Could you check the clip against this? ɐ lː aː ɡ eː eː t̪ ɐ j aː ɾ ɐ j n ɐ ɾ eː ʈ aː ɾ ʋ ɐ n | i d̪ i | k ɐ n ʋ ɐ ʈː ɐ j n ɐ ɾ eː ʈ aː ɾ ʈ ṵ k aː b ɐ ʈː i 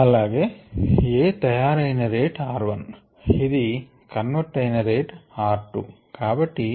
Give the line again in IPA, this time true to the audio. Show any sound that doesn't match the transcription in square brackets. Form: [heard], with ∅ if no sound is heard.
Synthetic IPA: ɐ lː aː ɡ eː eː t̪ ɐ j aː ɾ ɐ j n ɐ ɾ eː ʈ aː ɾ ʋ ɐ n | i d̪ i | k ɐ n ʋ ɐ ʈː ɐ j n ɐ ɾ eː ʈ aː ɾ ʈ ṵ k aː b ɐ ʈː i